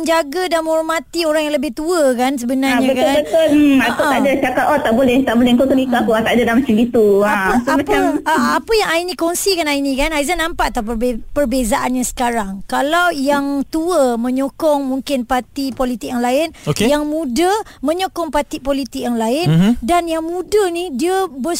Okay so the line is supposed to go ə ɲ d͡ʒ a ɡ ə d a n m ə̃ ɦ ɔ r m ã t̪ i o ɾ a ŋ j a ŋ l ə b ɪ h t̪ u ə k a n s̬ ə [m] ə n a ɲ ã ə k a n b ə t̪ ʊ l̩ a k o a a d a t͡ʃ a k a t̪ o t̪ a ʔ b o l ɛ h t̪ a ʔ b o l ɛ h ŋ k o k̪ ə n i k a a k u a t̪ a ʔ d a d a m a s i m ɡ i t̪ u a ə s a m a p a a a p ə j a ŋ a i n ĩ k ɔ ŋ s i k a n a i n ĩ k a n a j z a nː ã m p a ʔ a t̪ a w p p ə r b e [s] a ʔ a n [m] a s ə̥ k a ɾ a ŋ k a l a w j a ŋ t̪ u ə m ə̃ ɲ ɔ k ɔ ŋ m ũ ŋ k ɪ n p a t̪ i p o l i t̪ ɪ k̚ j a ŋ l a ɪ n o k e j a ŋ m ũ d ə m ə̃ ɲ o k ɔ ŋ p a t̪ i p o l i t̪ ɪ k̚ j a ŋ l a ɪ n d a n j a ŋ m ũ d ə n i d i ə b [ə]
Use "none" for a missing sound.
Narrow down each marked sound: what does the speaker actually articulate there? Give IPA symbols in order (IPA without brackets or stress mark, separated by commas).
b, z, ɲ, ə